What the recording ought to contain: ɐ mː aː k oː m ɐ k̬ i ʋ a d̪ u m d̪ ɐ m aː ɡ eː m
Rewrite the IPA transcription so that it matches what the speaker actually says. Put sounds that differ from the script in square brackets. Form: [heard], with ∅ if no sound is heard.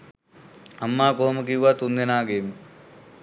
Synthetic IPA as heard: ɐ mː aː k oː m ɐ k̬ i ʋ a [t̪] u [n] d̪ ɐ [n] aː ɡ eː m